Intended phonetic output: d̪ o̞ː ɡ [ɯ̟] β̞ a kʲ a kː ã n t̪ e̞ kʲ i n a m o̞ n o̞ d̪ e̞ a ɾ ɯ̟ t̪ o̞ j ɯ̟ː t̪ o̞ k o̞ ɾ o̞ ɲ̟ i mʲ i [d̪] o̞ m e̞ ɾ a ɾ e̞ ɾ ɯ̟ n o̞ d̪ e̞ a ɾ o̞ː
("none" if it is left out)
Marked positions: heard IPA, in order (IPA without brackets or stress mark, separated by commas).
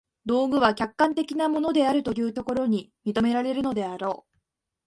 ɯ̟, t̪